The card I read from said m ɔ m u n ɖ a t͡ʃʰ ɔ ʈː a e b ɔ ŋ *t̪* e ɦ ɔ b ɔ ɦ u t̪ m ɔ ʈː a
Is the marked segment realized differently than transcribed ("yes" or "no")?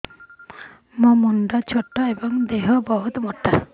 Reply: yes